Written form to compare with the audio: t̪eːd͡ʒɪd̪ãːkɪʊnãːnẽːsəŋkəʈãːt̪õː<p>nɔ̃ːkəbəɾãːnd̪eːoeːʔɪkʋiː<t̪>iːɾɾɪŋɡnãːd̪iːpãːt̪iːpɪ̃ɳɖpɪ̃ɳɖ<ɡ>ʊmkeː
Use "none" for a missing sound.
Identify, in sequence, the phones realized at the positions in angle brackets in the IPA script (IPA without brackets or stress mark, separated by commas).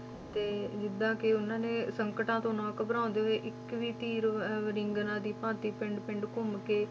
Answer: none, t̪, k